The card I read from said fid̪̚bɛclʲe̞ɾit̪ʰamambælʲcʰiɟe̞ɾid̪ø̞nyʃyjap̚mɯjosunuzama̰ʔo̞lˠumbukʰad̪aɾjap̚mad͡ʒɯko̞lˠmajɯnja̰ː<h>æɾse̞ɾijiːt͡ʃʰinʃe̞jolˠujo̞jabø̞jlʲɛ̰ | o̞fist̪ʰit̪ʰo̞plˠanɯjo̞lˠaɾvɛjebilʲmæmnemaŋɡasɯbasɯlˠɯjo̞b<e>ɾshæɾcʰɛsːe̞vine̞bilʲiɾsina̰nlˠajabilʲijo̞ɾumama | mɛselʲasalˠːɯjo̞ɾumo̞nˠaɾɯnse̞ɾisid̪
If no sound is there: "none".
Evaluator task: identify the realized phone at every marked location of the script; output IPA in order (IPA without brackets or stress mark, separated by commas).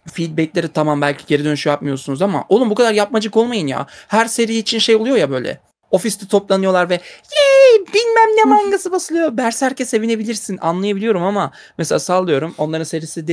h, æ